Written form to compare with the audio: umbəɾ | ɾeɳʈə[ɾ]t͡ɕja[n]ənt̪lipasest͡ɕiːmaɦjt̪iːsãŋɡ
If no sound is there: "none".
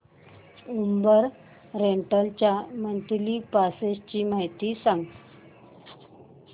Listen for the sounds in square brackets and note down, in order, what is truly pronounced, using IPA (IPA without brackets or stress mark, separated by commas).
l, m